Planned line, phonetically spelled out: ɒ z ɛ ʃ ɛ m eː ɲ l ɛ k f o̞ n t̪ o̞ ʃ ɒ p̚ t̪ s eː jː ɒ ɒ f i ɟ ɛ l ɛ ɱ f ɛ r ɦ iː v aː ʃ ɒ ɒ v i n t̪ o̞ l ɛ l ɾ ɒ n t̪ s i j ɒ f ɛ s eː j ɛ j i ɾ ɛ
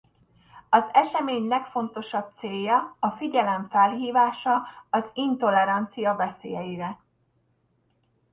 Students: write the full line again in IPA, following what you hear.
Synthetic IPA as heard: ɒ z ɛ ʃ ɛ m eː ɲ l ɛ k f o̞ n t̪ o̞ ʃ ɒ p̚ t̪ s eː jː ɒ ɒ f i ɟ ɛ l ɛ ɱ f ɛ l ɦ iː v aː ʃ ɒ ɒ z i n t̪ o̞ l ɛ ɾ ɒ n t̪ s i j ɒ v ɛ s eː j ɛ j i ɾ ɛ